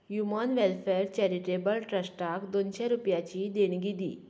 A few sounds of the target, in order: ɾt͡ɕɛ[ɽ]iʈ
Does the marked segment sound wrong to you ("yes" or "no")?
yes